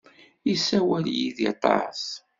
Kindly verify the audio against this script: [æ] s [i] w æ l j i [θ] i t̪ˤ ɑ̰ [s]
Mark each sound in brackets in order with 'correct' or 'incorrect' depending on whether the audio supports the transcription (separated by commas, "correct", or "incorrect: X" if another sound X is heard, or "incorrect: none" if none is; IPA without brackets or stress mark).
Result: incorrect: i, incorrect: æ, incorrect: ð, correct